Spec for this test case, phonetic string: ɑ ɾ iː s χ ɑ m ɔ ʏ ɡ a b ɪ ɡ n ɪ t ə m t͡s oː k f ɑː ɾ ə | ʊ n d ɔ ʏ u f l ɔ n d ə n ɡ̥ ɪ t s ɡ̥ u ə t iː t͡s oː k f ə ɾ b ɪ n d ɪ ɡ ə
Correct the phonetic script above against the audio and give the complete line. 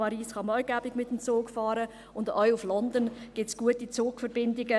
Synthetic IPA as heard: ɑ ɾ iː s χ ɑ m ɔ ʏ ɡ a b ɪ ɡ m ɪ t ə m t͡s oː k f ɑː ɾ ə | ʊ n d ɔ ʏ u f l ɔ n d ə n ɡ̥ ɪ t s ɡ̥ u ə t i t͡s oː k f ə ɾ b ɪ n d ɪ ɡ ə